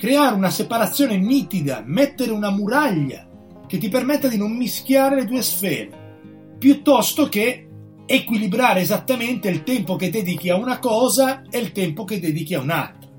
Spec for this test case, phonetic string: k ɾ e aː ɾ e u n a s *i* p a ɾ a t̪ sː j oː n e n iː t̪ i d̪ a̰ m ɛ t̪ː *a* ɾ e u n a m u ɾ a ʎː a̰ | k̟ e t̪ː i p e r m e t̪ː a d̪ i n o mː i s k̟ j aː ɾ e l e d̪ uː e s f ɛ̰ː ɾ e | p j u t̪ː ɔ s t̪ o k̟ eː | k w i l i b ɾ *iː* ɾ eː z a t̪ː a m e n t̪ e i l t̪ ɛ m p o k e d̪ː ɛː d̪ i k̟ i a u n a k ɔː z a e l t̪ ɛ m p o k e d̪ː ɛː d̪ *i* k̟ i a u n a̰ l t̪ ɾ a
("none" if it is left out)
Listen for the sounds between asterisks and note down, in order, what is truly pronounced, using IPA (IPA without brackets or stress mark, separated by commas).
e, e, aː, i